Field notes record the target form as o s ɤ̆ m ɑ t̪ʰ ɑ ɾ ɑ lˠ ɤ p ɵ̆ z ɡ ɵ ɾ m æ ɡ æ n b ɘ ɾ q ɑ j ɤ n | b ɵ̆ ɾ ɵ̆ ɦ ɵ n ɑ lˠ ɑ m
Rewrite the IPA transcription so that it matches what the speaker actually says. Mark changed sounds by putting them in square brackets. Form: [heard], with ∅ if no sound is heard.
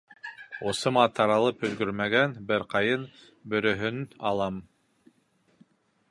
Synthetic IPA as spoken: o s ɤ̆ m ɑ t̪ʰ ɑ ɾ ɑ lˠ ɤ p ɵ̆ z ɡ ɵ ɾ m æ ɡ æ n b ɘ ɾ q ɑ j ɤ n | b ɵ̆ ɾ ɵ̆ ɦ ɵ n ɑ lˠ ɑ m